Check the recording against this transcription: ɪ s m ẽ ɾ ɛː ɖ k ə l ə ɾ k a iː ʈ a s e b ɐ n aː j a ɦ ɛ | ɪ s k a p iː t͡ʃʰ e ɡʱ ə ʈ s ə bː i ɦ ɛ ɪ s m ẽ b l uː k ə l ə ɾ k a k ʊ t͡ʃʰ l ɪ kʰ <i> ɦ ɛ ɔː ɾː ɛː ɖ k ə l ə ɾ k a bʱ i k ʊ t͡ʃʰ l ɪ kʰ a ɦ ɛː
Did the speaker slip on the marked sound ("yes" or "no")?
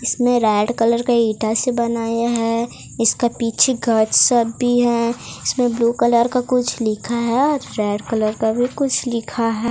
yes